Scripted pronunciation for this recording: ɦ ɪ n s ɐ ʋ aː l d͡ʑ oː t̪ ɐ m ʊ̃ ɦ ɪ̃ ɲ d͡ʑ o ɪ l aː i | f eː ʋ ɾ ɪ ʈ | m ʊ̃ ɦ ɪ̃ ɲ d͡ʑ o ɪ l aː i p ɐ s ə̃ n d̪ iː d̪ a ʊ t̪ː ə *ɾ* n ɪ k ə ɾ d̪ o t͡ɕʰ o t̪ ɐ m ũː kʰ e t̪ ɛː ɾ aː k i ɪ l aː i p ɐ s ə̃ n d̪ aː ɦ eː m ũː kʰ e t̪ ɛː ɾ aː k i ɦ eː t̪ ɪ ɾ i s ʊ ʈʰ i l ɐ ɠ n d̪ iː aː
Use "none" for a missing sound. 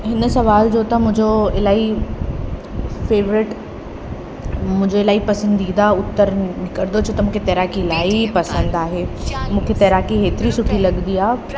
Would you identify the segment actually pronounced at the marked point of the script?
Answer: ɾ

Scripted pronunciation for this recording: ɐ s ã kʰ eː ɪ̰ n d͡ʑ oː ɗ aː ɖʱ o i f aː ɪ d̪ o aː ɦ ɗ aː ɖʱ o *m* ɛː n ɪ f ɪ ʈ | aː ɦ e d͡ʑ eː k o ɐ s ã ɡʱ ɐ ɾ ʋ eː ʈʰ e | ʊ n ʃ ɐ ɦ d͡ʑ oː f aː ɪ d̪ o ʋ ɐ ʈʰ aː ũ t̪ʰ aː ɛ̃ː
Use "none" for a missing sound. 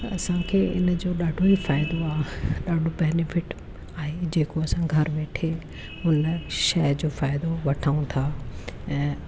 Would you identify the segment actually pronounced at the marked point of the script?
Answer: b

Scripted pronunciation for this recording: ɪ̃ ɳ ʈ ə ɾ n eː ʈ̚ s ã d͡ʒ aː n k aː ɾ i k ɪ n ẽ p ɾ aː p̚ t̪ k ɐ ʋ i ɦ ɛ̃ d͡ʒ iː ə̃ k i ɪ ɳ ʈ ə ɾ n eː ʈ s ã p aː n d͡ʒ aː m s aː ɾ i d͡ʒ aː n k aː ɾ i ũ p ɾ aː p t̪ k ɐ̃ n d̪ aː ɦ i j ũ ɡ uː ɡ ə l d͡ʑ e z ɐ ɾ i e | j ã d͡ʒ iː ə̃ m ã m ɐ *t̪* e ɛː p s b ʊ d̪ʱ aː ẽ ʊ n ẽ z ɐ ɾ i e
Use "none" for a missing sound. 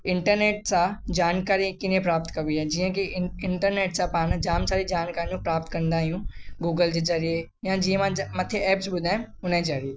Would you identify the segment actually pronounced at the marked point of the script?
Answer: t̪ʰ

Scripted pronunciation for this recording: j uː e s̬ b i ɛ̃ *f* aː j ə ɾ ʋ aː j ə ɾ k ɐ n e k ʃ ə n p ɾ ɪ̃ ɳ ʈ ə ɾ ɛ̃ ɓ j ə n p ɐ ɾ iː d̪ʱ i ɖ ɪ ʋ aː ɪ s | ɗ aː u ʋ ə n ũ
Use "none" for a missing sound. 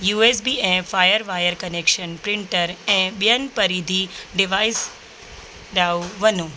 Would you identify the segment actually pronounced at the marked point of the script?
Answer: f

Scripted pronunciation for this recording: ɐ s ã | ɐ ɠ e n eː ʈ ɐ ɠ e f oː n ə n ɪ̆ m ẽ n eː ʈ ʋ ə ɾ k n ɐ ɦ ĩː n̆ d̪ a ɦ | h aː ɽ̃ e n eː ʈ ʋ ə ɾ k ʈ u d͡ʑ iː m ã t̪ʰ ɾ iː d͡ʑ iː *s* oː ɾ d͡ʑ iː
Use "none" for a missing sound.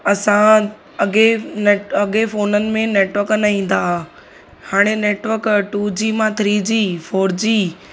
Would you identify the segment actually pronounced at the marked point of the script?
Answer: f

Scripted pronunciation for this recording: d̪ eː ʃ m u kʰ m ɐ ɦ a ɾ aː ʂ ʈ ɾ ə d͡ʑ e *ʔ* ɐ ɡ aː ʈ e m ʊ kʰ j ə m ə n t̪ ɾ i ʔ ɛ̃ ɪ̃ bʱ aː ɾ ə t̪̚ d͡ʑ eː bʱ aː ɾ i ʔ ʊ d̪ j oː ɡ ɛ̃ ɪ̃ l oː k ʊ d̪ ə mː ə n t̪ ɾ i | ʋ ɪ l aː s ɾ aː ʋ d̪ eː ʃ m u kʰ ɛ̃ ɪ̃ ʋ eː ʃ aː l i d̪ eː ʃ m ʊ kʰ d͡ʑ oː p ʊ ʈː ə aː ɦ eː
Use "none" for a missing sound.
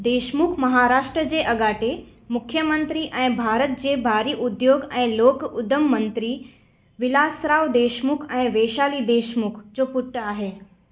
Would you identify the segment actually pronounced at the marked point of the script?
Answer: ʔ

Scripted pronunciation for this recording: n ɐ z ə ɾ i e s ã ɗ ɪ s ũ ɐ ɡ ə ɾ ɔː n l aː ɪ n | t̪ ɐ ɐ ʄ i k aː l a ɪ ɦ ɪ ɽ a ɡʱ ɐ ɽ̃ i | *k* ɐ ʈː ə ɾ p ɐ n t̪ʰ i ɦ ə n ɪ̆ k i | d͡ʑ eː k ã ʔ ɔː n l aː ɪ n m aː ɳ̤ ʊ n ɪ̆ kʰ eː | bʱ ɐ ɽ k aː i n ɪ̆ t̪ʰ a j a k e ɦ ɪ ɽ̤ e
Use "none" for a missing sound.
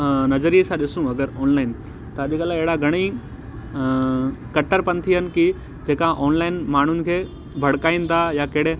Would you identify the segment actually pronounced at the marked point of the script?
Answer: k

